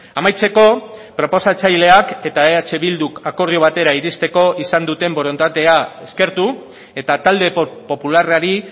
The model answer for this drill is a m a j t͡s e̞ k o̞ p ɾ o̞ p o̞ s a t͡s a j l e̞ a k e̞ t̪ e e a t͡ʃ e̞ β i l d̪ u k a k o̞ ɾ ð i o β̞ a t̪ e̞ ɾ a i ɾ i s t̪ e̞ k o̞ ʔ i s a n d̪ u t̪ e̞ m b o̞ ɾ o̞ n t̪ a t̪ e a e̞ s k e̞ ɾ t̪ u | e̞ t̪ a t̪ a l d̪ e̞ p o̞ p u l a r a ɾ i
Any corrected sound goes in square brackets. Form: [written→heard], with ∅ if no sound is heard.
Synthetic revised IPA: a m a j t͡s e̞ k o̞ p ɾ o̞ p o̞ s a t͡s a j l e̞ a k e̞ t̪ [e→a] e a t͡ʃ e̞ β i l d̪ u k a k o̞ ɾ ð i o β̞ a t̪ e̞ ɾ a i ɾ i s t̪ e̞ k o̞ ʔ i s a n d̪ u t̪ e̞ m b o̞ ɾ o̞ n t̪ a t̪ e a e̞ s k e̞ ɾ t̪ u | e̞ t̪ a t̪ a l d̪ e̞ p o̞ p u l a r a ɾ i